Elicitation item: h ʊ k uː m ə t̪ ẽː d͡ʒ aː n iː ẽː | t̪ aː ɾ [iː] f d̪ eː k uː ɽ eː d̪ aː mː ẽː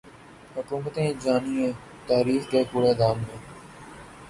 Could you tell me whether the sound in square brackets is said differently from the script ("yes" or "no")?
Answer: no